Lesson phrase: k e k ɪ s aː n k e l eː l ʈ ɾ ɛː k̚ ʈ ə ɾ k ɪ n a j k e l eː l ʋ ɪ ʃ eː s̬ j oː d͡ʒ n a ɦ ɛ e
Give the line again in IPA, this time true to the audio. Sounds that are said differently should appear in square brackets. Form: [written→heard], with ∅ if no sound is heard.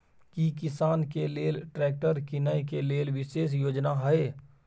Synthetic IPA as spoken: k [e→i] k ɪ s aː n k e l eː l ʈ ɾ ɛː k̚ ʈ ə ɾ k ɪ n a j k e l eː l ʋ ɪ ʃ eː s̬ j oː d͡ʒ n a ɦ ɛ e